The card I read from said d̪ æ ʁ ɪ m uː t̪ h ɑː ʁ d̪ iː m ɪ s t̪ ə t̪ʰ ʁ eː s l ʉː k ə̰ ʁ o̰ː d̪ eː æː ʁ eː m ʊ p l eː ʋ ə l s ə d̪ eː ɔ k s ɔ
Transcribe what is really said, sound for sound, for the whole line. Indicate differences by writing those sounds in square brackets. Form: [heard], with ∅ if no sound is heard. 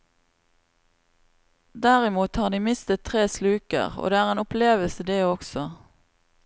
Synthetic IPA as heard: d̪ æ ʁ ɪ m uː t̪ h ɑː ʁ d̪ iː m ɪ s t̪ ə t̪ʰ ʁ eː s l ʉː k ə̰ ʁ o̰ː d̪ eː æː ʁ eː [n] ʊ p l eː ʋ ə l s ə d̪ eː ɔ k s ɔ

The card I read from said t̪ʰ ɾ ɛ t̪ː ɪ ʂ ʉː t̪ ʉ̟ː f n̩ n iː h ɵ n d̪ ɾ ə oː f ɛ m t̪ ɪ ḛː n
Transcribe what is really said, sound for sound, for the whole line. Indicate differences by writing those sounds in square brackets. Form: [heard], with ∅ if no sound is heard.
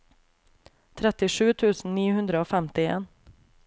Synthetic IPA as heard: t̪ʰ ɾ ɛ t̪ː ɪ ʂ ʉː [t̪ʰ] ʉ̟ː [s] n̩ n iː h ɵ n d̪ ɾ ə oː f ɛ m t̪ ɪ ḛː n

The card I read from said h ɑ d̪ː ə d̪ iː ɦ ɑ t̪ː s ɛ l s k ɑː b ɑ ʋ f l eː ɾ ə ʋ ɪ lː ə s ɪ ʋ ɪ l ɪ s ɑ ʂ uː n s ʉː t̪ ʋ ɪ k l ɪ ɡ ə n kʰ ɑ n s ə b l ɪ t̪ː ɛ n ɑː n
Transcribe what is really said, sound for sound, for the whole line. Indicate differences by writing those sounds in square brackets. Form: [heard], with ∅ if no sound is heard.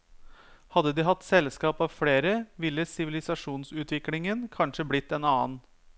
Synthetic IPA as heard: h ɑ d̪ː ə d̪ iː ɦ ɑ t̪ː s ɛ l s k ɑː [p] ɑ ʋ f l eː ɾ ə ʋ ɪ lː ə s ɪ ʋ ɪ l ɪ s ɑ ʂ uː n s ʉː t̪ ʋ ɪ k l ɪ [ŋ] ə n kʰ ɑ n [ʂ] ə b l ɪ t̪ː ɛ n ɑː n

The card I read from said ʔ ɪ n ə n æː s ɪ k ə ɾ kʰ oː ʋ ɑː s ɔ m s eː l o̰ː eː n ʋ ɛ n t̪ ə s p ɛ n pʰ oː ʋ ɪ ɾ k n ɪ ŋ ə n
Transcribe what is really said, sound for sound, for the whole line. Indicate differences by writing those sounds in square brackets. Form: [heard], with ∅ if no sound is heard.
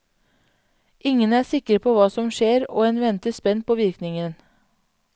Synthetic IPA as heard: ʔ ɪ [ŋ] ə n æː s ɪ k ə ɾ [pʰ] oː ʋ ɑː s ɔ m [ʃ] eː [ɾ] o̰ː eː n ʋ ɛ n t̪ ə s p ɛ n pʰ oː ʋ ɪ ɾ k n ɪ ŋ ə n

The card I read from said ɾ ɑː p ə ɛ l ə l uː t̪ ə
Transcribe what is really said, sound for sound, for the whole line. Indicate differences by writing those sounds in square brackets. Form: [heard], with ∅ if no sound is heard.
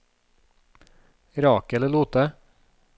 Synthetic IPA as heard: ɾ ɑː [k] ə ɛ l ə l uː t̪ ə

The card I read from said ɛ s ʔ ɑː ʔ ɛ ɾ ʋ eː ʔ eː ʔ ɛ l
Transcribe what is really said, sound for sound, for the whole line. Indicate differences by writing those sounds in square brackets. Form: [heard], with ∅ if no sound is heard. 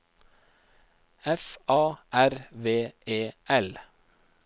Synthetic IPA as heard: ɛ [f] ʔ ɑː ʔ [æ] ɾ ʋ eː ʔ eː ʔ ɛ l

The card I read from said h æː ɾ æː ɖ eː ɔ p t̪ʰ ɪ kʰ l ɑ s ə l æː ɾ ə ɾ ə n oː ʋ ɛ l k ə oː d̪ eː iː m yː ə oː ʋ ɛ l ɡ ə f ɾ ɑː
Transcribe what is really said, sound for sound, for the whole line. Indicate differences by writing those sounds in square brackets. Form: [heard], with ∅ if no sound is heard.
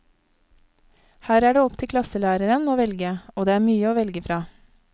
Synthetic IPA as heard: h æː ɾ æː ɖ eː ɔ p t̪ʰ ɪ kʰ l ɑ s ə l æː ɾ ə ɾ ə n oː ʋ ɛ l [ɡ] ə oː d̪ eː [æː] m yː ə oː ʋ ɛ l ɡ ə f ɾ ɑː

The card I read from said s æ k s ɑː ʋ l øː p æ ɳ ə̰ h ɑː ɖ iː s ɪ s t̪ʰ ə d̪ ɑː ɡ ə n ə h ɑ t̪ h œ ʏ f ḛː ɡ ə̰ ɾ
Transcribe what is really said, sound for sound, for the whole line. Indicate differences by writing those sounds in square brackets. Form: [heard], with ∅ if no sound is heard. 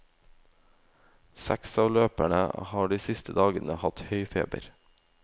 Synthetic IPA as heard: s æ k s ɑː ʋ l øː p æ ɳ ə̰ h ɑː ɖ iː s ɪ s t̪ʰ ə d̪ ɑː ɡ ə n ə h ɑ t̪ h œ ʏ f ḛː [b] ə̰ ɾ

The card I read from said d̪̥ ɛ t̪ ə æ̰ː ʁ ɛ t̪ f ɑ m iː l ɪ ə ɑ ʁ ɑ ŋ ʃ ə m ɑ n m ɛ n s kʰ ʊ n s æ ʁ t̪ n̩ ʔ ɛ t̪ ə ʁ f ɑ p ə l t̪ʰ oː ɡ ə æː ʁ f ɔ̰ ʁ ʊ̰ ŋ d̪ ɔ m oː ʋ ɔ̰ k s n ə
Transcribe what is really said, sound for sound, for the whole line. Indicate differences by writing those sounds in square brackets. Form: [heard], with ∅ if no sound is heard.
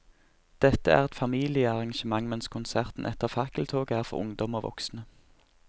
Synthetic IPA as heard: d̪̥ ɛ t̪ ə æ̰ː ʁ ɛ t̪ f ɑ m iː l ɪ ə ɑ ʁ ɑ ŋ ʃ ə m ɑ [ŋ] m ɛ n s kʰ ʊ n s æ ʁ t̪ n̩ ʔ ɛ t̪ ə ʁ f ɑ [k] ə l t̪ʰ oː ɡ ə æː ʁ f ɔ̰ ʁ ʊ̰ ŋ d̪ ɔ m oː ʋ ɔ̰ k s n ə

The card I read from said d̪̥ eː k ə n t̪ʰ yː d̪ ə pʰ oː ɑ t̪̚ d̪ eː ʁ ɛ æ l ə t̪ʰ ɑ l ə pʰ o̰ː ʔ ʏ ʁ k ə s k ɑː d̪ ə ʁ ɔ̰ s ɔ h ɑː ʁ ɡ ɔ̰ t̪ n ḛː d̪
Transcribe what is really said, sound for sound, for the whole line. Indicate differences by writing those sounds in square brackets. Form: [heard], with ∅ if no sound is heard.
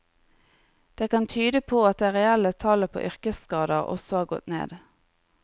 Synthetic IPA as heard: d̪̥ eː k [ɑ] n t̪ʰ yː d̪ ə pʰ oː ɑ t̪̚ d̪ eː ʁ ɛ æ l ə t̪ʰ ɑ l ə pʰ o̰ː ʔ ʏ ʁ k ə s k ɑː d̪ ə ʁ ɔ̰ s ɔ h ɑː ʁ ɡ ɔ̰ t̪ n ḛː d̪

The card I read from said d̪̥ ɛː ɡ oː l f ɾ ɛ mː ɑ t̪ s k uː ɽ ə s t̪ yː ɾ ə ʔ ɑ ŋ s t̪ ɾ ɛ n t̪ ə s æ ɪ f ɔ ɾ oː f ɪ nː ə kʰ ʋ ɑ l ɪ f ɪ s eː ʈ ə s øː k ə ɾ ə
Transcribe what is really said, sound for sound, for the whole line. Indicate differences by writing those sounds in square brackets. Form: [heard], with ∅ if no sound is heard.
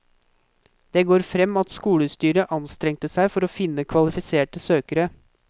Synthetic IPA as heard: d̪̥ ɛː ɡ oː [ɾ] f ɾ ɛ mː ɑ t̪ s k uː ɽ ə s t̪ yː ɾ ə ʔ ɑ [n] s t̪ ɾ ɛ [ŋ] t̪ ə s æ ɪ f ɔ ɾ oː f ɪ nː ə kʰ ʋ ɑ l ɪ f ɪ s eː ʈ ə s øː k ə ɾ ə

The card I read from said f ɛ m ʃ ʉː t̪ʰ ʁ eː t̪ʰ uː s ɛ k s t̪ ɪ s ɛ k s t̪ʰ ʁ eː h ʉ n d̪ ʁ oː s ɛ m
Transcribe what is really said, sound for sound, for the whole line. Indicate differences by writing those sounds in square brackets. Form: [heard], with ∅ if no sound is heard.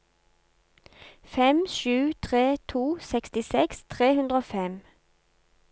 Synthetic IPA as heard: f ɛ m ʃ ʉː t̪ʰ ʁ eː t̪ʰ uː s ɛ k s t̪ ɪ s ɛ k s t̪ʰ ʁ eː h ʉ n d̪ ʁ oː [f] ɛ m

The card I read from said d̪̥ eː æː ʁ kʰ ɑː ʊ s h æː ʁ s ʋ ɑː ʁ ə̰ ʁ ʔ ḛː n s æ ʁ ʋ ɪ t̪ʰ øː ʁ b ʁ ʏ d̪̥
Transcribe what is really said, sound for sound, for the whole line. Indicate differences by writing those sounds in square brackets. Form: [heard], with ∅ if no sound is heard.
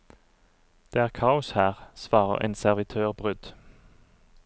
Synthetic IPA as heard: d̪̥ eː æː ʁ kʰ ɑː ʊ s h æː ʁ s ʋ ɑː ʁ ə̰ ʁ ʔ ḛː n s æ ʁ ʋ ɪ t̪ʰ øː ʁ b ʁ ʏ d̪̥

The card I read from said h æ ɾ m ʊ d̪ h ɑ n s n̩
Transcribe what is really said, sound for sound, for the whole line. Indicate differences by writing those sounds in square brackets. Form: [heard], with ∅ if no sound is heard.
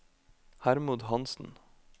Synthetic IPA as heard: h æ ɾ m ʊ d̪ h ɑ n s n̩

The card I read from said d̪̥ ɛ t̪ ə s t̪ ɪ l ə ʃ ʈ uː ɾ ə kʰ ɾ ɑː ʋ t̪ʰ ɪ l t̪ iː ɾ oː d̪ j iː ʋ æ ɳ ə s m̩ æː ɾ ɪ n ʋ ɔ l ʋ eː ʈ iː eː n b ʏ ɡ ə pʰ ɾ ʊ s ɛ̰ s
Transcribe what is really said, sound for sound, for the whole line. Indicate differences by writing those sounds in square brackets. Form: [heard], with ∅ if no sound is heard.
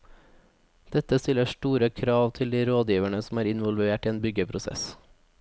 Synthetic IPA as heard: d̪̥ ɛ t̪ ə s t̪ ɪ l ə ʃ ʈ uː ɾ ə kʰ ɾ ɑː ʋ t̪ʰ ɪ l [d̪] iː ɾ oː d̪ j iː ʋ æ ɳ ə s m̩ æː ɾ ɪ n ʋ ɔ l ʋ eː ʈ iː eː n b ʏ ɡ ə pʰ ɾ ʊ s ɛ̰ s

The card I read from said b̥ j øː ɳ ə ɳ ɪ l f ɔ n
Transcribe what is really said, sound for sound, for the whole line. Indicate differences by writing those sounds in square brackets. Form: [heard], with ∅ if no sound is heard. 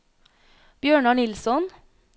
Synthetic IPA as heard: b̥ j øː ɳ [ɑ] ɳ ɪ l [s] ɔ n

